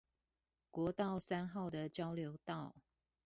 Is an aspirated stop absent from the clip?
yes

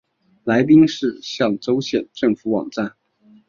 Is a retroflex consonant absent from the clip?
no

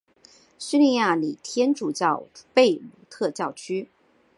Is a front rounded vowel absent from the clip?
no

